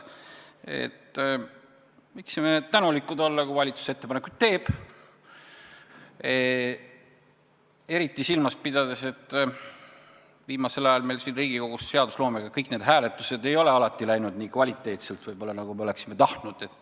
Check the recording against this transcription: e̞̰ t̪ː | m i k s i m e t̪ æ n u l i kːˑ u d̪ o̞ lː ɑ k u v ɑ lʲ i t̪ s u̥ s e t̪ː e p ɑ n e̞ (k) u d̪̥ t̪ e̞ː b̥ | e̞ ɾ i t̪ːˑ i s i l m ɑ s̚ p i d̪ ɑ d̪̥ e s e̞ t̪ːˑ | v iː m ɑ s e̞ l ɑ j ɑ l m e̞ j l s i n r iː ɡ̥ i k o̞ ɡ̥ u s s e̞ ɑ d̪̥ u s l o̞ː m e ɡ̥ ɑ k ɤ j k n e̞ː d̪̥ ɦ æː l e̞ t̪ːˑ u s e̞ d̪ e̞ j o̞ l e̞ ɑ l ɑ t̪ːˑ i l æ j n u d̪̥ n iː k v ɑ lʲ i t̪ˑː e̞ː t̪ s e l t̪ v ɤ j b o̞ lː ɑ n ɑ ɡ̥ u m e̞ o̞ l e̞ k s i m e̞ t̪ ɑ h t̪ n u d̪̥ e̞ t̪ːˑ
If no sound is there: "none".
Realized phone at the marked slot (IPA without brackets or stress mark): k